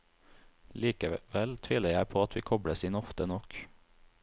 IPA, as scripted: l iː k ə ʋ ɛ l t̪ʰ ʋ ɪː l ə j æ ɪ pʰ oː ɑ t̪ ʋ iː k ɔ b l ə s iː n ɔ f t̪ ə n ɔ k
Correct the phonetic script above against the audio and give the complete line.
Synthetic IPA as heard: l iː k ə ʋ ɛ l t̪ʰ ʋ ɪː l ə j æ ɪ pʰ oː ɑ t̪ ʋ iː kʰ ɔ b ɽ ə s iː n ɔ f t̪ ə n ɔ k